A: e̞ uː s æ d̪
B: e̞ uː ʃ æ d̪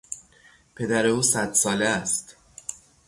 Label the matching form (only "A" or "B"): A